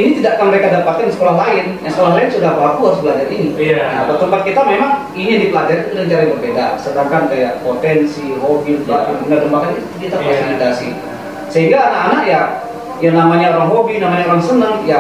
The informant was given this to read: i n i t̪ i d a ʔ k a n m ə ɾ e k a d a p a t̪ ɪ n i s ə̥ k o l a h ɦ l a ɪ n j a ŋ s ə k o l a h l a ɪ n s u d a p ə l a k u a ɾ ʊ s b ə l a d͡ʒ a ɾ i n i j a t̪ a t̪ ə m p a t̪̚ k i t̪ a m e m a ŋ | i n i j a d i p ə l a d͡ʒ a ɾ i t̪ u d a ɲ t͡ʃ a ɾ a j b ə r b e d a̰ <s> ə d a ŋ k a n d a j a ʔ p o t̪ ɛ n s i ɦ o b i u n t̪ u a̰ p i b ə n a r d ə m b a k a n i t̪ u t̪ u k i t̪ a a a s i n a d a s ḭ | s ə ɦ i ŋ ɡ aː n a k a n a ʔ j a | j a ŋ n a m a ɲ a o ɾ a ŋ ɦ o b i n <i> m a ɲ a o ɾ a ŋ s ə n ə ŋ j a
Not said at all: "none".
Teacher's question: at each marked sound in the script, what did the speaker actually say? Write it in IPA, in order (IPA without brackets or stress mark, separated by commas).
s, a